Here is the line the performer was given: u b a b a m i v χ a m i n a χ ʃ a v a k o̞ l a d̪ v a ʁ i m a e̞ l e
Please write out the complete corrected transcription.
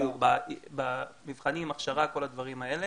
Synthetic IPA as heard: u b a b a m i v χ a n i m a χ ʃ a ʁ a k o̞ l a d̪ v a ʁ i m a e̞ l e